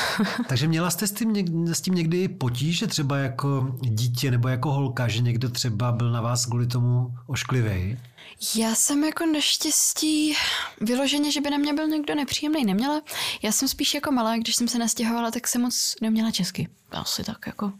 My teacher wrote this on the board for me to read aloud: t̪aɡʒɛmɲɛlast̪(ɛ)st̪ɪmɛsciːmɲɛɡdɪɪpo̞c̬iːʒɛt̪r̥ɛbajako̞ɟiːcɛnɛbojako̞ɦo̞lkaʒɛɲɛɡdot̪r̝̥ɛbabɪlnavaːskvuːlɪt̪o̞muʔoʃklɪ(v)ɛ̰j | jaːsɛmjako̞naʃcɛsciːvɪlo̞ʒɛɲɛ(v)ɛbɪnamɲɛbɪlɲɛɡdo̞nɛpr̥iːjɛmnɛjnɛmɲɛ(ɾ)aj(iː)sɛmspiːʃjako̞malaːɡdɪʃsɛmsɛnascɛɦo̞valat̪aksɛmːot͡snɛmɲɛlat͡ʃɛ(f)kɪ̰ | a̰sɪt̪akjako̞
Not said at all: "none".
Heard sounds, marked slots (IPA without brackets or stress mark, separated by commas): ɛ, v, ʒ, l, aː, s